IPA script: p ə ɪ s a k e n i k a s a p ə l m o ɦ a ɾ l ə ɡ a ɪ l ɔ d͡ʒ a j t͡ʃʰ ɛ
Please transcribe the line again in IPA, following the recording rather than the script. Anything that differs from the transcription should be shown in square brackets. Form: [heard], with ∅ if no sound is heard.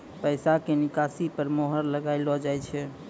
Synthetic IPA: p ə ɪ s a k e n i k a s [i] p ə [ɾ] m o ɦ [ə] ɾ l ə ɡ a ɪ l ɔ d͡ʒ a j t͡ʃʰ ɛ